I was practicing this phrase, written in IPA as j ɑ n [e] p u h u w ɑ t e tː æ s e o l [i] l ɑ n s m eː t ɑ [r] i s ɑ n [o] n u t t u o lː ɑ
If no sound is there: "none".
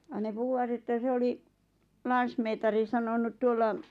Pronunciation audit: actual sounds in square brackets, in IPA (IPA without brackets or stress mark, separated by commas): e, i, r, o